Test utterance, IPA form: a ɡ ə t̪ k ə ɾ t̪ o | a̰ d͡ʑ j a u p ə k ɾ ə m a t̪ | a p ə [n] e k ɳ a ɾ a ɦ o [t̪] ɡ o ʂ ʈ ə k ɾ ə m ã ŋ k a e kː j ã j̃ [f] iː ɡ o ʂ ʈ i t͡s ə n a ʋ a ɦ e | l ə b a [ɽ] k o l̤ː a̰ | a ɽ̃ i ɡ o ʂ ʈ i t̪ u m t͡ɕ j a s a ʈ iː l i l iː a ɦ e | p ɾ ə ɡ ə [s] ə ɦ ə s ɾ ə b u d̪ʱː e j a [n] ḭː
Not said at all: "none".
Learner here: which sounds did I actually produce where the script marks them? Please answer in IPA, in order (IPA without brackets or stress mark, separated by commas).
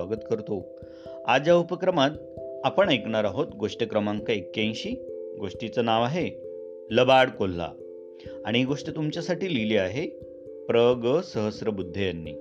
ɳ, t̪, ɕ, ɽ, s, nː